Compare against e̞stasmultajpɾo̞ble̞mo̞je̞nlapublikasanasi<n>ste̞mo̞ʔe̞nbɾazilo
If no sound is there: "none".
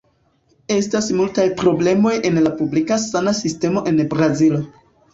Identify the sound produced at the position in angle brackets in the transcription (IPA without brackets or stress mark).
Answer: none